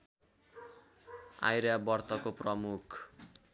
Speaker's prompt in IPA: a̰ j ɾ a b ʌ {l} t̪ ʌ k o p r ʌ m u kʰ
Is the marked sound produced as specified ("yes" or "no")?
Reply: no